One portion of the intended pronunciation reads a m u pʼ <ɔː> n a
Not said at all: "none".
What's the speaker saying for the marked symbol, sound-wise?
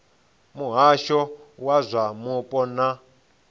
ɔ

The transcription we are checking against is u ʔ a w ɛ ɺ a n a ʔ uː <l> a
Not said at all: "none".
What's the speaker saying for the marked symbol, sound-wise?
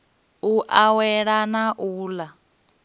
l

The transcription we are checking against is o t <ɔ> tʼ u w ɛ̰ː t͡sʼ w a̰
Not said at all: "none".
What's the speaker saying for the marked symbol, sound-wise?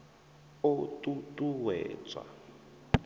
u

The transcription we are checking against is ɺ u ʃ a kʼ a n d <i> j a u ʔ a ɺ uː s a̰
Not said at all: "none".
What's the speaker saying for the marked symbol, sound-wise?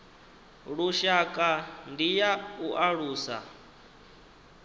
i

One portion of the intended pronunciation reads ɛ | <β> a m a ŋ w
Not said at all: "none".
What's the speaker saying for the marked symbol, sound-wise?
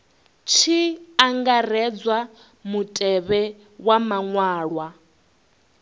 w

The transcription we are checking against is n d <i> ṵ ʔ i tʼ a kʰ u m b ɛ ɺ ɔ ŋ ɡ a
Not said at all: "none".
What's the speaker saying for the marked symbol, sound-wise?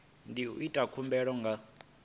i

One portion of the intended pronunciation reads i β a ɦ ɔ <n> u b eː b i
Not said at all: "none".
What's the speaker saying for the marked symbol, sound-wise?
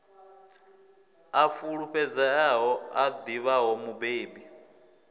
m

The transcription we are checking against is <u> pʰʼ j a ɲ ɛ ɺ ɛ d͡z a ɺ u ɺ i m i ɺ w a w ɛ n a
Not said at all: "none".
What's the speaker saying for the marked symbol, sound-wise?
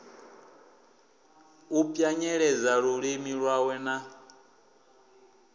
u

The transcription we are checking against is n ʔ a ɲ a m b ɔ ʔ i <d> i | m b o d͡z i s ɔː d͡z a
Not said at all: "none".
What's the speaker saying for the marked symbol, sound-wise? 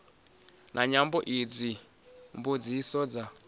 d͡z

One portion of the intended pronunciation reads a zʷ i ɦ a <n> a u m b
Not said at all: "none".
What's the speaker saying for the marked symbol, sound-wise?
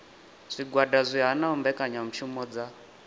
n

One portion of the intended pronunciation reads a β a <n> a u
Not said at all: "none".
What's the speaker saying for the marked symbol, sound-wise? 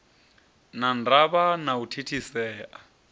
n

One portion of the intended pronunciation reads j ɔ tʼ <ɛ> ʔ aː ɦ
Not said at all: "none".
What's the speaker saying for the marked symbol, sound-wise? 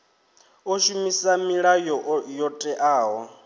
ɛ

